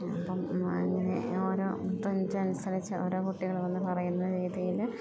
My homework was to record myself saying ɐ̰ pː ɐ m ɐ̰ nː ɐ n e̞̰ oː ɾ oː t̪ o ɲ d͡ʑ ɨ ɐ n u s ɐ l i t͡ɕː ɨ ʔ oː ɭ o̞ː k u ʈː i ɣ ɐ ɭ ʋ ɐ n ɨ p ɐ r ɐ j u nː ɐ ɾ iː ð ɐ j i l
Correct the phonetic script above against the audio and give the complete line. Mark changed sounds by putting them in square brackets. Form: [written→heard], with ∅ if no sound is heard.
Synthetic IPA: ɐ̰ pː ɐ m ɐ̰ [nː→ŋː] ɐ n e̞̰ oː ɾ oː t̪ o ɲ d͡ʑ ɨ ɐ n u s ɐ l i t͡ɕː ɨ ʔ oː [ɭ→ɾ] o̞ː k u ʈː i ɣ ɐ ɭ ʋ ɐ [n→nː] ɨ p ɐ r ɐ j u nː ɐ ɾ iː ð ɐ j i l